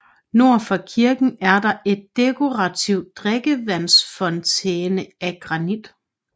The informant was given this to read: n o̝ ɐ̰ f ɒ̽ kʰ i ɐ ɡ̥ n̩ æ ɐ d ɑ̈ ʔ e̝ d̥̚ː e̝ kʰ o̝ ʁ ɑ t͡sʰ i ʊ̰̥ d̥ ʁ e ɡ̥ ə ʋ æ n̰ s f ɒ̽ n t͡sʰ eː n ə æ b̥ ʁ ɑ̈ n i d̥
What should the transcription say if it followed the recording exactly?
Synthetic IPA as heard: n o̝ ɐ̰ f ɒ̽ kʰ i ɐ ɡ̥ n̩ æ ɐ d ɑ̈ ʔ e̝ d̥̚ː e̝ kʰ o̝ ʁ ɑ t͡sʰ i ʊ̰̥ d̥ ʁ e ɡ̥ ə ʋ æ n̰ s f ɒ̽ n t͡sʰ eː n ə æ ɡ̥ ʁ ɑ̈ n i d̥